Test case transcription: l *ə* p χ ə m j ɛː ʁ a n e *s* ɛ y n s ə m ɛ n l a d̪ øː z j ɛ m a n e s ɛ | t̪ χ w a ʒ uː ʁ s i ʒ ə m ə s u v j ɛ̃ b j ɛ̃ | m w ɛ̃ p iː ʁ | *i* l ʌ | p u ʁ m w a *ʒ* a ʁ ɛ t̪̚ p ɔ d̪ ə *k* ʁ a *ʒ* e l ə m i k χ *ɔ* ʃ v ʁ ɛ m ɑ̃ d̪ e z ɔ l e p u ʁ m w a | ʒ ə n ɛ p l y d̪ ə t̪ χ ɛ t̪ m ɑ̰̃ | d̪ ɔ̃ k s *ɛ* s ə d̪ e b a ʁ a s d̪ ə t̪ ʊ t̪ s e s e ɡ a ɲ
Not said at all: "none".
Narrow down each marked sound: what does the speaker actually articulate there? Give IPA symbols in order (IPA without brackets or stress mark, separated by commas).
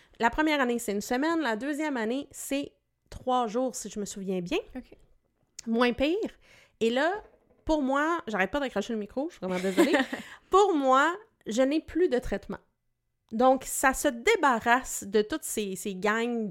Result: a, s, e, ʒ, k, ʃ, o, a